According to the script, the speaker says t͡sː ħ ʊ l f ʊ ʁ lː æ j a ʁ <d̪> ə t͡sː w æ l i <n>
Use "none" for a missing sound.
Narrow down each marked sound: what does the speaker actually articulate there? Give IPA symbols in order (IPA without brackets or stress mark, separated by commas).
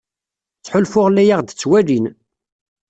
d̪, n